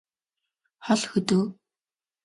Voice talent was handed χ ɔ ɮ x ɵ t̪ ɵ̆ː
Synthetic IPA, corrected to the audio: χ ɔ ɮ x ɵ t̪ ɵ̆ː